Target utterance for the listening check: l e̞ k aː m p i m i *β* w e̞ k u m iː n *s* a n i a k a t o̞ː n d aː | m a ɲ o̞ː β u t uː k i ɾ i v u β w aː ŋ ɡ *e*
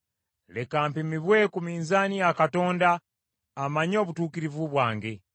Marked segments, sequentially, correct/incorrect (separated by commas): correct, incorrect, correct